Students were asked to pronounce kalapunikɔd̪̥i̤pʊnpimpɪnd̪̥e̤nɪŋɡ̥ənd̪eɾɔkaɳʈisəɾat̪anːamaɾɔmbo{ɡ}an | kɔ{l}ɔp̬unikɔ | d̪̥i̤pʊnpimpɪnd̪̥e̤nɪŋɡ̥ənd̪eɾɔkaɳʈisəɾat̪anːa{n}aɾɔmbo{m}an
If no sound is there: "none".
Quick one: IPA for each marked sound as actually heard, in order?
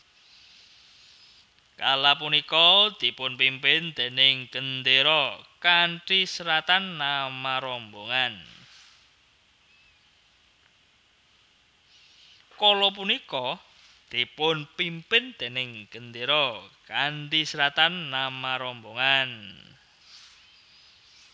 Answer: ŋ, l, m, ŋ

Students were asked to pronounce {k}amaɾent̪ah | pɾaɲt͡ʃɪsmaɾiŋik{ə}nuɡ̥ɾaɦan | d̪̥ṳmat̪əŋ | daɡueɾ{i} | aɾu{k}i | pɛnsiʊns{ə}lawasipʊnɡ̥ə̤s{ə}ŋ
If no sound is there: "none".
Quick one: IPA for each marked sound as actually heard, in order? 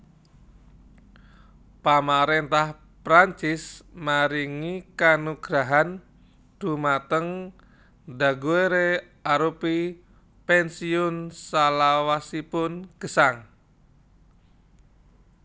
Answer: p, a, e, p, a, a

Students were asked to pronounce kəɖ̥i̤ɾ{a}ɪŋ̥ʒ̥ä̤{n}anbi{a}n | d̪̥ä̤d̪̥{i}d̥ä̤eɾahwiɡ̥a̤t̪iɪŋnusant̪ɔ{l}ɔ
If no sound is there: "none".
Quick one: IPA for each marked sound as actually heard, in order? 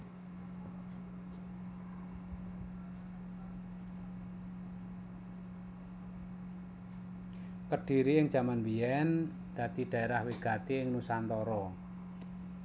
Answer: i, m, ɛ, i, ɾ

